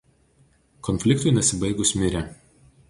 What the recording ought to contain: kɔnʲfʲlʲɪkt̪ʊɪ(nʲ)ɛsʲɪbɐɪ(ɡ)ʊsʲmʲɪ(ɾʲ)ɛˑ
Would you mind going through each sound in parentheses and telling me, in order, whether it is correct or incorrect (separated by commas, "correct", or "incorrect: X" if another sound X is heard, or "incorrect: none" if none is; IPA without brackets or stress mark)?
correct, correct, correct